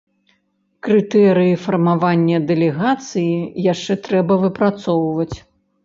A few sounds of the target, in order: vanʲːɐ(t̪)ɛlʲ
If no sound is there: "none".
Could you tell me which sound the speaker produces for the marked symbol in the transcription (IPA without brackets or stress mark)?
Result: d̪